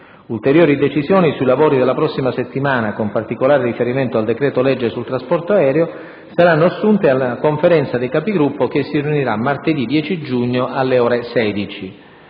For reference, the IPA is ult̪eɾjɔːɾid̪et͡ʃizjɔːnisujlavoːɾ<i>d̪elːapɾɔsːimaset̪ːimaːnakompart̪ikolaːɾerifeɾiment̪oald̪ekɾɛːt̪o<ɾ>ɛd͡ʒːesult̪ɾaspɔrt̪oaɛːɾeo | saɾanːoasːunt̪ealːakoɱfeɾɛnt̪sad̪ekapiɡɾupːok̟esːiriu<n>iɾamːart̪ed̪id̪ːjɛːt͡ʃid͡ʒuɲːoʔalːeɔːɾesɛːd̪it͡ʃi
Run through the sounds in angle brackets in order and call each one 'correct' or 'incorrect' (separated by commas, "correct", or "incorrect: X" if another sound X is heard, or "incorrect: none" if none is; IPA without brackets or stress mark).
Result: correct, incorrect: l, correct